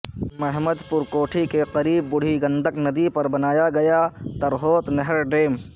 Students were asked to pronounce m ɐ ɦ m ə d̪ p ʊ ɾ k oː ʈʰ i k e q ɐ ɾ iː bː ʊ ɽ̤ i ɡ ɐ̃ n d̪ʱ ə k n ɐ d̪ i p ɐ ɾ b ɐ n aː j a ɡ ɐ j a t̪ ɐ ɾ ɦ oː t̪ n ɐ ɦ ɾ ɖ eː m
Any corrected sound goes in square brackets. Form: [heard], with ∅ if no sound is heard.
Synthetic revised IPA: m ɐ ɦ m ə d̪ p ʊ ɾ k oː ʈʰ i k e q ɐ ɾ iː bː ʊ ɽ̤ i ɡ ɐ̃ n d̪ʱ ə k n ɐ d̪ i p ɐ ɾ b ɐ n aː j a ɡ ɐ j a t̪ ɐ ɾ ɦ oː t̪ n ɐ ɦ ɾ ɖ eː m